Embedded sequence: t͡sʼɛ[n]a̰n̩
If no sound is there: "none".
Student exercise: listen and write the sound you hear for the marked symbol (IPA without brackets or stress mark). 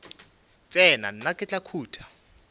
n